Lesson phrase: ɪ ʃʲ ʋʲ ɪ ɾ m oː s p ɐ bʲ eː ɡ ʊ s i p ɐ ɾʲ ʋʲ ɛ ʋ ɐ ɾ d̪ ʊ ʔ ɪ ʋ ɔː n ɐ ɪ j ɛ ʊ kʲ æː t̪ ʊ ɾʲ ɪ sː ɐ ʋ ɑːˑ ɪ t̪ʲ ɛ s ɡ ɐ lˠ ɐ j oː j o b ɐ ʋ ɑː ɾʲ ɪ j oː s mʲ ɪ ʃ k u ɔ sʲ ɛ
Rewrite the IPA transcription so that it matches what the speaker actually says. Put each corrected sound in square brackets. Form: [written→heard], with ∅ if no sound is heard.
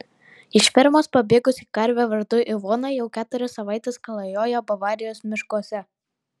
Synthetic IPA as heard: ɪ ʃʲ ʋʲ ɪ ɾ m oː s p ɐ bʲ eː ɡ ʊ s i [p→k] ɐ ɾʲ ʋʲ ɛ ʋ ɐ ɾ d̪ ʊ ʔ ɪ ʋ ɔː n ɐ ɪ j ɛ ʊ kʲ æː t̪ ʊ ɾʲ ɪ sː ɐ ʋ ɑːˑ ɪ t̪ʲ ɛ s [ɡ→k] ɐ lˠ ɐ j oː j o b ɐ ʋ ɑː ɾʲ ɪ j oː s mʲ ɪ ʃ k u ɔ sʲ ɛ

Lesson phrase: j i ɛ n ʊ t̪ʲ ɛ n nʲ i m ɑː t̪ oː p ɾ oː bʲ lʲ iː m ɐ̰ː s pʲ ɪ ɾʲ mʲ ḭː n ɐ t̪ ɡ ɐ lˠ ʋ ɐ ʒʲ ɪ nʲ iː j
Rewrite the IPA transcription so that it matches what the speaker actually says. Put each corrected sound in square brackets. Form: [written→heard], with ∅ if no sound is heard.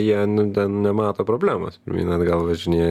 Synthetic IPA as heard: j i ɛ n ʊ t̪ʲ ɛ n nʲ [i→ɛ] m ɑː t̪ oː p ɾ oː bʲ lʲ [iː→æː] m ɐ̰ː s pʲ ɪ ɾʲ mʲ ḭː n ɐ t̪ ɡ ɐ lˠ ʋ ɐ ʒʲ ɪ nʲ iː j

